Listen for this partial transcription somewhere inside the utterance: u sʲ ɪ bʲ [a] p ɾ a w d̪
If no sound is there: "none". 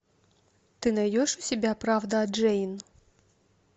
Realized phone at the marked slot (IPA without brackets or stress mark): a